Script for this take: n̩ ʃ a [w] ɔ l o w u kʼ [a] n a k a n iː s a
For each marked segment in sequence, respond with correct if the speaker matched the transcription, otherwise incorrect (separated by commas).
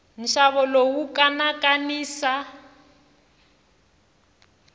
incorrect, correct